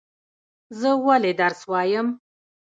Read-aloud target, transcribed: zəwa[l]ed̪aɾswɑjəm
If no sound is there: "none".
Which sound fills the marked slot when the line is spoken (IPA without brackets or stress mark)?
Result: l